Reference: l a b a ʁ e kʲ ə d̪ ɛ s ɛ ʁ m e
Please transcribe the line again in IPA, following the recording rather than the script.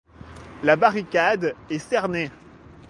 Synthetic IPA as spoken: l a b a ʁ i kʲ a d̪ ɛ s ɛ ʁ n e